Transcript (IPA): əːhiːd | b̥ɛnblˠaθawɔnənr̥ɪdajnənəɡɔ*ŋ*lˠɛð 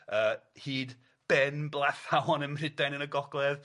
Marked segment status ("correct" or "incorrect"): incorrect